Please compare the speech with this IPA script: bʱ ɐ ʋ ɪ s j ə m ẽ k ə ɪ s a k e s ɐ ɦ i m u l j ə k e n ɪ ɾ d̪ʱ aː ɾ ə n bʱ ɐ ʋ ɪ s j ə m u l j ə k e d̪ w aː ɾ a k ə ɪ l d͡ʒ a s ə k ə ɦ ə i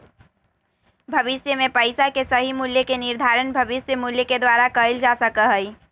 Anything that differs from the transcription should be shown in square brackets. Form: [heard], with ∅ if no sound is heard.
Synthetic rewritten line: bʱ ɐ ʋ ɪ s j ə m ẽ [p] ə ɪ s a k e s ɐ ɦ i m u l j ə k e n ɪ ɾ d̪ʱ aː ɾ ə n bʱ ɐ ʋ ɪ s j ə m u l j ə k e d̪ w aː ɾ a k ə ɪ l d͡ʒ a s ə k ə ɦ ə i